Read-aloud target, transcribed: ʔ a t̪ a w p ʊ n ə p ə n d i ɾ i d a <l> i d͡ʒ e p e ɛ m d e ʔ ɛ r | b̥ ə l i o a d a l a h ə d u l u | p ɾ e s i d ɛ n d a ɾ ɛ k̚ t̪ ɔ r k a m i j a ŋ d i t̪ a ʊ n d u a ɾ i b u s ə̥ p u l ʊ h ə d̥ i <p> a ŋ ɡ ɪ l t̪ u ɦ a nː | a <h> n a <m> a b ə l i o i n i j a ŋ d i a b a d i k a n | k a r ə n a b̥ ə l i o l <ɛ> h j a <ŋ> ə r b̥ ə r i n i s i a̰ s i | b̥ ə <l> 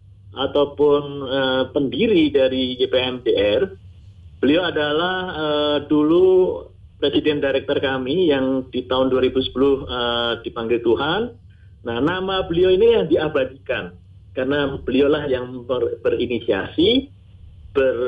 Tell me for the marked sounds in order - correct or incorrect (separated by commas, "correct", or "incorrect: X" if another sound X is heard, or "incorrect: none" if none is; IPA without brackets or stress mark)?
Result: incorrect: ɾ, correct, correct, correct, incorrect: a, correct, incorrect: r